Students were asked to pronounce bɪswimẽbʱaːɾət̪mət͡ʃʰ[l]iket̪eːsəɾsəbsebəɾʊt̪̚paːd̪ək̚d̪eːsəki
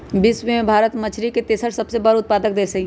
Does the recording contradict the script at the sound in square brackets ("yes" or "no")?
yes